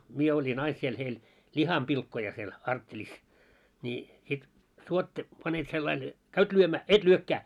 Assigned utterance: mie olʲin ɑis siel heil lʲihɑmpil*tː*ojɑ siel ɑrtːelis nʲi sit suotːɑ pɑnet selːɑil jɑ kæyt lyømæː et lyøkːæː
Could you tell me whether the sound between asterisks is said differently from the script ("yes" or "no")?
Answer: yes